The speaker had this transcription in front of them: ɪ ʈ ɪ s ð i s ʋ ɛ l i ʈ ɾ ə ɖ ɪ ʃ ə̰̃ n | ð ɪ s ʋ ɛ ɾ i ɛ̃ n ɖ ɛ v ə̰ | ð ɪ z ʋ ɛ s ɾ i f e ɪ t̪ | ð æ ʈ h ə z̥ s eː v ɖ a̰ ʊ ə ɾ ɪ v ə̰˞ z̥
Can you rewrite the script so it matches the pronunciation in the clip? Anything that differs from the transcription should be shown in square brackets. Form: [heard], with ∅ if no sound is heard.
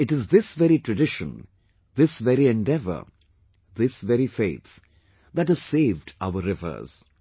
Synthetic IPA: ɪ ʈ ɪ [z] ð [ɪ] s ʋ ɛ [ɾ] i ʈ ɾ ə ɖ ɪ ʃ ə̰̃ n | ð ɪ s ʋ ɛ ɾ i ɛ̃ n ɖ ɛ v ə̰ | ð ɪ [s] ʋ ɛ [∅] ɾ i f e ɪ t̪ | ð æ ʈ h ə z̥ s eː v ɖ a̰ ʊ ə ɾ ɪ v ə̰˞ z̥